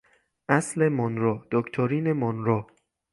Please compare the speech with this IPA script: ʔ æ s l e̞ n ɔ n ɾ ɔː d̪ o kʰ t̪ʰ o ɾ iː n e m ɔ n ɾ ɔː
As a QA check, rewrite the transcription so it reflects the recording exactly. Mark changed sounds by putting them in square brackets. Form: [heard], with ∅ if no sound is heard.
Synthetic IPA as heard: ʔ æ s l e̞ [m] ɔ n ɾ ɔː d̪ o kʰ t̪ʰ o ɾ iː n e m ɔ n ɾ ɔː